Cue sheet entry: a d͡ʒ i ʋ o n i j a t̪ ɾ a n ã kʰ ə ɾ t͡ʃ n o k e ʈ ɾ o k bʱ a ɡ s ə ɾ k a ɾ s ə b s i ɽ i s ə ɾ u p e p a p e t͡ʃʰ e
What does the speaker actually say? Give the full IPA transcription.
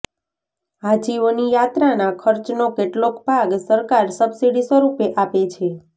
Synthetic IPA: a d͡ʒ i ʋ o n i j a t̪ ɾ a n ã kʰ ə ɾ t͡ʃ n o k e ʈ l o k bʱ a ɡ s ə ɾ k a ɾ s ə b s i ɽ i s ə ɾ u p e ʔ a p e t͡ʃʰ e